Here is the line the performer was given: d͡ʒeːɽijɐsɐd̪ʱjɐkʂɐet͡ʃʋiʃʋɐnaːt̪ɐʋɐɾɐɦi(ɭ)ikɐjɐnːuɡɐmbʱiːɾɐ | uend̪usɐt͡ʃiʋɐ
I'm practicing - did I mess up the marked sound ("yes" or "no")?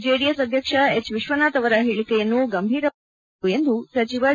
no